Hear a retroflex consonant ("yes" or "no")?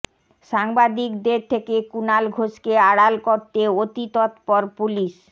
yes